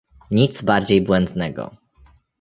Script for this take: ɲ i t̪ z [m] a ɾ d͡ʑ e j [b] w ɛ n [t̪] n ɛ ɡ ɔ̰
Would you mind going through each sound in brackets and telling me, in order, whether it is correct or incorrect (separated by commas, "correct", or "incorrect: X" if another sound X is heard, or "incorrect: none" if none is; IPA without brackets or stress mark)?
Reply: incorrect: b, correct, incorrect: d̪